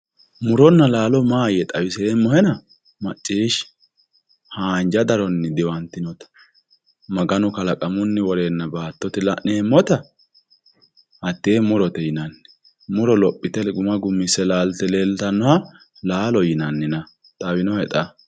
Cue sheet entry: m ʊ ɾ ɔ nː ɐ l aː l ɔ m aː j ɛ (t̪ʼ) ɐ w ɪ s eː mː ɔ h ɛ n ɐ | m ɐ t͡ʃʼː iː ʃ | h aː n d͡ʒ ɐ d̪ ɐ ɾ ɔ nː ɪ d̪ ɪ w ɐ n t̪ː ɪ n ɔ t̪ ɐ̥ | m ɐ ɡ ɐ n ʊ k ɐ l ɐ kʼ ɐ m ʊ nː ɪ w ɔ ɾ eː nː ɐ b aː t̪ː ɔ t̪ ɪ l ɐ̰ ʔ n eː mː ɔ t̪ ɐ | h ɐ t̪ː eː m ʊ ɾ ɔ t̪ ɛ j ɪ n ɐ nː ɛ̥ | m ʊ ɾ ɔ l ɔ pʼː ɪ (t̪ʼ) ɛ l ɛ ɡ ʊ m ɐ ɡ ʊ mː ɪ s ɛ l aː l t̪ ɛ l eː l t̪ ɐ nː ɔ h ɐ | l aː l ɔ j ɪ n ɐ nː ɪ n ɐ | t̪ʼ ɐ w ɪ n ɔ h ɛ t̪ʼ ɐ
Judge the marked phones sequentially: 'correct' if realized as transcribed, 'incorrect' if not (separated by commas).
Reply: correct, incorrect